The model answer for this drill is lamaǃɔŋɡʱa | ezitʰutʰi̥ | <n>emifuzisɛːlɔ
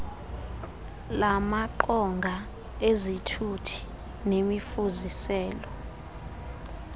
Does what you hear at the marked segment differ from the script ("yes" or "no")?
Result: no